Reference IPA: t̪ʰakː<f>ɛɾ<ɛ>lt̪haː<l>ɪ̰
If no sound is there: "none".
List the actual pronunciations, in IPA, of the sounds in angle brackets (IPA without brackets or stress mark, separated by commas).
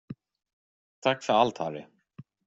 f, a, ɾ